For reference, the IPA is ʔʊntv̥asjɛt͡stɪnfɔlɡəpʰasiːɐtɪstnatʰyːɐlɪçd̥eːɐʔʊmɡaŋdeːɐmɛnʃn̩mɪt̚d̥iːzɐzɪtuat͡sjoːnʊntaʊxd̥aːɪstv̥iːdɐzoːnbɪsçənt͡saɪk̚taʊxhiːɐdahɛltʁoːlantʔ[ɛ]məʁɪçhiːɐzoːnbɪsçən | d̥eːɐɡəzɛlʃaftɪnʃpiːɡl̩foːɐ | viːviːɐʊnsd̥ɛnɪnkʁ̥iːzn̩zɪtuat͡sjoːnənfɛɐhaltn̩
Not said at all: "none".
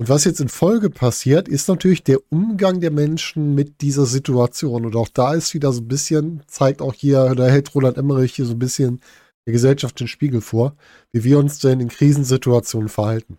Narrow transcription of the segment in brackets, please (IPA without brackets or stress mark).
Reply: ɛ